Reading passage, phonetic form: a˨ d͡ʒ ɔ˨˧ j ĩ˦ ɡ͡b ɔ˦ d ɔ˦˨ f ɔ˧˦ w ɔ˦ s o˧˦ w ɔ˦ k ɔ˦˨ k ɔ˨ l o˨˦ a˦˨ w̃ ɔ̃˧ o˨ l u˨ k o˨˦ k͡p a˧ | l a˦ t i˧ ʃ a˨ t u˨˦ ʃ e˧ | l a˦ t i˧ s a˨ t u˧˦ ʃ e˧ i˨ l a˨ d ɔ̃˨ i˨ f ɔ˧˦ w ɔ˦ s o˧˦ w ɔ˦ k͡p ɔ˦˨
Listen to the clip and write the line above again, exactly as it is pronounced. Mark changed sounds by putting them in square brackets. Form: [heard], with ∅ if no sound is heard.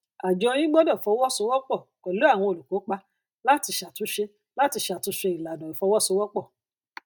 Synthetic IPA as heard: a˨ d͡ʒ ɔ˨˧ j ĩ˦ ɡ͡b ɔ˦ d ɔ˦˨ f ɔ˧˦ w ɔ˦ s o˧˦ w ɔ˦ [k͡p] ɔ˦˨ k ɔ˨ l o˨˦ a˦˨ w̃ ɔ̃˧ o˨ l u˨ k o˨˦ k͡p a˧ | l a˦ t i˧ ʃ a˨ t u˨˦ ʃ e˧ | l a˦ t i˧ [ʃ] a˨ t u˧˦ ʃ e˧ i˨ l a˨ d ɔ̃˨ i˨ f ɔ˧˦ w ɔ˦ s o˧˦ w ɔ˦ k͡p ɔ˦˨